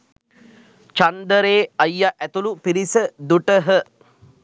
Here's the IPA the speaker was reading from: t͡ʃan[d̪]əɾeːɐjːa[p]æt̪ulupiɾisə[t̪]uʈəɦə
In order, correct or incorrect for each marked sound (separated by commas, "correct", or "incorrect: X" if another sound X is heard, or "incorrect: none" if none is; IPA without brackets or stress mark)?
correct, incorrect: ʔ, incorrect: d̪